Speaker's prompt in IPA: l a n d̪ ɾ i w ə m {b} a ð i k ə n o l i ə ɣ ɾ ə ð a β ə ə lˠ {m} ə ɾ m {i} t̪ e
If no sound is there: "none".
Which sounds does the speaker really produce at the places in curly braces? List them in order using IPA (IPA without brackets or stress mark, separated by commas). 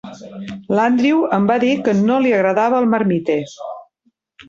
b, m, i